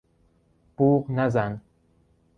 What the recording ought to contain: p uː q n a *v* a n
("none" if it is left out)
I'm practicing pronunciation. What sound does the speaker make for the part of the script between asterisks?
z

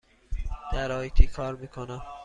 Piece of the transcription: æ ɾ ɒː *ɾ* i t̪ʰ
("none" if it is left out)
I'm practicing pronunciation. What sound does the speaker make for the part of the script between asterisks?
none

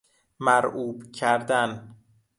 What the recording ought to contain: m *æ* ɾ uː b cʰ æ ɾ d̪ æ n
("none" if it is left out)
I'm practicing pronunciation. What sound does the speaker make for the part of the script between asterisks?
æ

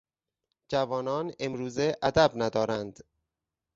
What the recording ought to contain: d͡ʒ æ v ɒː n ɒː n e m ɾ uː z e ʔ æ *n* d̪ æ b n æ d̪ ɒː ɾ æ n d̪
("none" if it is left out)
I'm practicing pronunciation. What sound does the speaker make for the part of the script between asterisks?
none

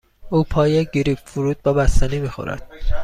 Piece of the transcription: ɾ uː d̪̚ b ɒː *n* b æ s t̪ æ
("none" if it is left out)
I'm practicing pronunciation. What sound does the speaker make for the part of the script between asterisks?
none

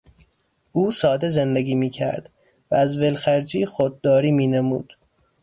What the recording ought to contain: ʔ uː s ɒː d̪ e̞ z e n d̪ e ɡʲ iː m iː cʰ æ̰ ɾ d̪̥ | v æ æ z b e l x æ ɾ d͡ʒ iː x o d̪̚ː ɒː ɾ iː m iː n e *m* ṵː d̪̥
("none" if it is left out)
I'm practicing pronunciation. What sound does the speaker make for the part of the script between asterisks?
m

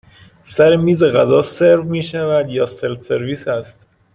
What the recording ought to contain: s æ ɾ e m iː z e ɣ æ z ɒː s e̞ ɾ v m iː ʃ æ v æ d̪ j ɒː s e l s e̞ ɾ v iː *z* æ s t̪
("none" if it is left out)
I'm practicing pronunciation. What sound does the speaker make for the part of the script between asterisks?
s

